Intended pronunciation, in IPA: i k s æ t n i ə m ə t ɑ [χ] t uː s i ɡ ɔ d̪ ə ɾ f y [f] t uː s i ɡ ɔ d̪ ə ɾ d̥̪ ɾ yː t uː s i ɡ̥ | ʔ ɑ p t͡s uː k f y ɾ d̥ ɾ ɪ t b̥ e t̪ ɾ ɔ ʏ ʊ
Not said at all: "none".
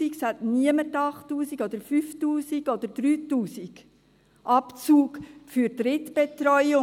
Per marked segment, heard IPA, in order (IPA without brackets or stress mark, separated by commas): χ, f